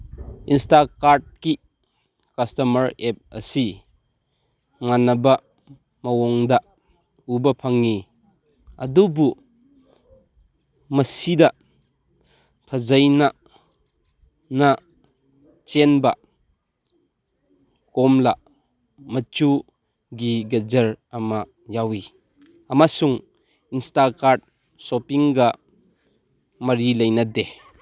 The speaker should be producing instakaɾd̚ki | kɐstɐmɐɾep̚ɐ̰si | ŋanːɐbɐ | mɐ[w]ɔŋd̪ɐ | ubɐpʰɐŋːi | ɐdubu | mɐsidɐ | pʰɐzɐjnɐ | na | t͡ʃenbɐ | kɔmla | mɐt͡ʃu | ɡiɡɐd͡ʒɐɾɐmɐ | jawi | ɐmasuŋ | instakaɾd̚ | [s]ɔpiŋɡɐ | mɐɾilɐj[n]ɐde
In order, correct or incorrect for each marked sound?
correct, correct, correct

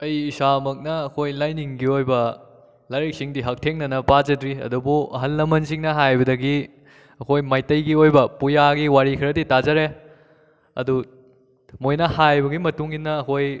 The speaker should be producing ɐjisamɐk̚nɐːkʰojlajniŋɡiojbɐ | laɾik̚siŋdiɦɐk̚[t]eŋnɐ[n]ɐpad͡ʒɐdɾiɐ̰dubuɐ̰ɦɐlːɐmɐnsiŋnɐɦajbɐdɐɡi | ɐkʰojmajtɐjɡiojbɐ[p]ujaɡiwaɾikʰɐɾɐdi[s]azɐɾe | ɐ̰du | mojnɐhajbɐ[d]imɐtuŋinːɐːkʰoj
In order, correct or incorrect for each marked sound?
incorrect, correct, correct, incorrect, incorrect

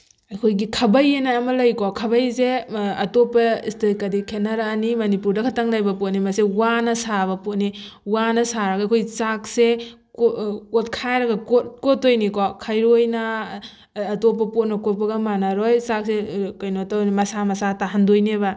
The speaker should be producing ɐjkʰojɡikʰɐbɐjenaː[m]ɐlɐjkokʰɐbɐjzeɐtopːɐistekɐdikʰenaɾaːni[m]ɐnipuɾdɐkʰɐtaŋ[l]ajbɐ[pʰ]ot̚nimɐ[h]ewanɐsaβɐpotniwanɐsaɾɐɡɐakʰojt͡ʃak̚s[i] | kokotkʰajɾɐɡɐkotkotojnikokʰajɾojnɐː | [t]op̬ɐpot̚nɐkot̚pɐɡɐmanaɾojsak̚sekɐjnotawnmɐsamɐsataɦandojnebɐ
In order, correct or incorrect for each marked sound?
correct, correct, correct, incorrect, incorrect, incorrect, correct

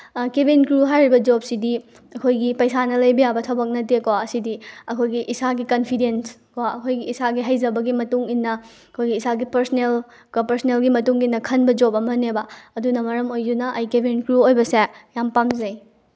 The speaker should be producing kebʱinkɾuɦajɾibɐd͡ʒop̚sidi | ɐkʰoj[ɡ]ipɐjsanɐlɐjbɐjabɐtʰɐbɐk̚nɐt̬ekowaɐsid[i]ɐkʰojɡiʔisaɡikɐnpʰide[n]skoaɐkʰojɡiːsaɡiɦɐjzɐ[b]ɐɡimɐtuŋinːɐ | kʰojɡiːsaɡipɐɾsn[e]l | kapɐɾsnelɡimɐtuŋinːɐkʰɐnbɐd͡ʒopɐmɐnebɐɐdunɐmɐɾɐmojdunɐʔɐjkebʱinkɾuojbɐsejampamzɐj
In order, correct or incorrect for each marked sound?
correct, correct, correct, correct, correct

